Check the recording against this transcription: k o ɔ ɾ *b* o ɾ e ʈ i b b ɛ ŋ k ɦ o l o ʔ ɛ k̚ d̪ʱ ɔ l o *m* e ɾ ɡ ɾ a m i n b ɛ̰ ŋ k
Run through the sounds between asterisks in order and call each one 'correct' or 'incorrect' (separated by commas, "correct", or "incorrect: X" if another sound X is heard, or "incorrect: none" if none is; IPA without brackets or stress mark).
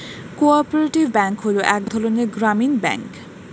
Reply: incorrect: p, incorrect: n